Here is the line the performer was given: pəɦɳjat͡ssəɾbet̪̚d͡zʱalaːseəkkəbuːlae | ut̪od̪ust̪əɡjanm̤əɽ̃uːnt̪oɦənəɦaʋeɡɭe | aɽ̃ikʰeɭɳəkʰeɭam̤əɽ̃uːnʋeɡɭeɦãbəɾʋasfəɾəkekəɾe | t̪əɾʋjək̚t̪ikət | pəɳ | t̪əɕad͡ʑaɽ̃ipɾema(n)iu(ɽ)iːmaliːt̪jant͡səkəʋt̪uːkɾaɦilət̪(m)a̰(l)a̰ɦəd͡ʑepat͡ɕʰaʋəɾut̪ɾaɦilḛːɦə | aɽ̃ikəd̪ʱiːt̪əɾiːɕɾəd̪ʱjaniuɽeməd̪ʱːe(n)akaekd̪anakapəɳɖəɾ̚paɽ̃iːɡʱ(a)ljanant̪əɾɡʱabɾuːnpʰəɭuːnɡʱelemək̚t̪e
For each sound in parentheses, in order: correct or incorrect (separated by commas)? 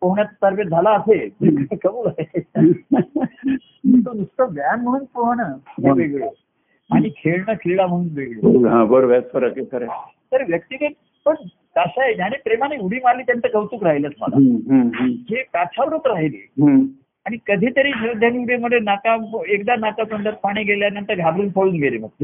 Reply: correct, correct, correct, correct, correct, incorrect